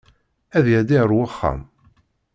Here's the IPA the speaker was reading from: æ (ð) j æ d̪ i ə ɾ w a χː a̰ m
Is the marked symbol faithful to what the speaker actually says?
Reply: yes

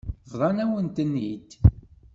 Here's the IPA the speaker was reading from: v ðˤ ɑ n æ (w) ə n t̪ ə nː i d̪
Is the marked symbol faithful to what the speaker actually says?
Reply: yes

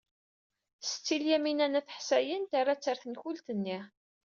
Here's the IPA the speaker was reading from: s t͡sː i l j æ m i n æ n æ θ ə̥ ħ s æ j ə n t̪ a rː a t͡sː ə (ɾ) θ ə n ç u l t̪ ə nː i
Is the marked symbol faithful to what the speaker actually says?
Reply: yes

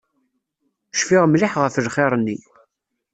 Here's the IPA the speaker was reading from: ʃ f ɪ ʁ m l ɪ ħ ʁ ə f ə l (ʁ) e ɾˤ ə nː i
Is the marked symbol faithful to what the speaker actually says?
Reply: no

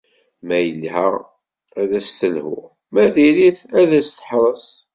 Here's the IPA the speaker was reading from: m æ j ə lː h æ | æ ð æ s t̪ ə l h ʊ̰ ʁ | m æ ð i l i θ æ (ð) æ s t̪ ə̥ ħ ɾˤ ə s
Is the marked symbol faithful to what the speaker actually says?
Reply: yes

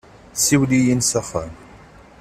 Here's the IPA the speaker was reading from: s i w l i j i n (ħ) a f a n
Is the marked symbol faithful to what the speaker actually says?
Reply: no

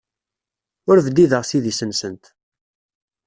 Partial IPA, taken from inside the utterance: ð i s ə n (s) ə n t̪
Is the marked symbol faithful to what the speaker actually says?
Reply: yes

